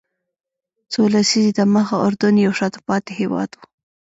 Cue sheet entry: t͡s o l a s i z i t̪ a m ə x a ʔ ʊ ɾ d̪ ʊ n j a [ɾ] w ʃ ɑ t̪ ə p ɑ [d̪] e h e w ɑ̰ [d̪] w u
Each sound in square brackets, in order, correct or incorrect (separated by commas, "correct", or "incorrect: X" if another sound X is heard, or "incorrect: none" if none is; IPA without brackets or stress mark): incorrect: none, incorrect: t̪, correct